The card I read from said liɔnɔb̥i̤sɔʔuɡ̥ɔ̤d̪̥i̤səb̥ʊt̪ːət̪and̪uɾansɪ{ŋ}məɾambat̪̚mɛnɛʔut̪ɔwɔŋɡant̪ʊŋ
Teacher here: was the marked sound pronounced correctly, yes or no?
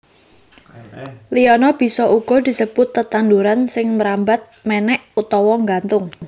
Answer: yes